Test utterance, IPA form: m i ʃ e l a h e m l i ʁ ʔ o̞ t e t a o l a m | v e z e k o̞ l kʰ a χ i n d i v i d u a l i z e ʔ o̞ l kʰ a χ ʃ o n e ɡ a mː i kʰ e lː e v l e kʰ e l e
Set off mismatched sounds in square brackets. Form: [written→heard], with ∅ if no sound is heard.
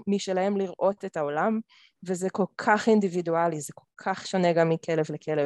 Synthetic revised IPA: m i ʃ e l a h e m l i ʁ ʔ o̞ t e t a o l a m | v e z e k o̞ l kʰ a χ i n d i v i d u a l i z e [ʔ→k] o̞ l kʰ a χ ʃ o n e ɡ a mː i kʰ e [lː→l] e v l e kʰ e l e